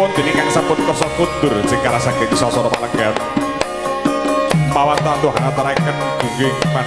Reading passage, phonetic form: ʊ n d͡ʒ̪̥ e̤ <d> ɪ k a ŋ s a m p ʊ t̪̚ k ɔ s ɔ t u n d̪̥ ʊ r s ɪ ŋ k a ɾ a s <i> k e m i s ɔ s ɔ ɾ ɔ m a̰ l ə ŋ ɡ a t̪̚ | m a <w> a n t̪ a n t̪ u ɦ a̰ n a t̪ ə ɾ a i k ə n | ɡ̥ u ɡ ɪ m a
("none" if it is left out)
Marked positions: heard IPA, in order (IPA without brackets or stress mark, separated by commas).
n, a, w